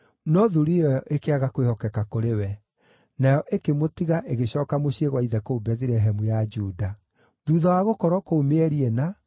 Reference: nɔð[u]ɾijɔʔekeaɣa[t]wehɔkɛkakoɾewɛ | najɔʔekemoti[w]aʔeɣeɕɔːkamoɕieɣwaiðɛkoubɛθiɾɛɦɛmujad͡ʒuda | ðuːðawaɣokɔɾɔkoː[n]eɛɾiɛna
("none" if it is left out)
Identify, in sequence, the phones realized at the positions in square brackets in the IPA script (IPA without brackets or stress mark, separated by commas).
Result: u, k, ɣ, m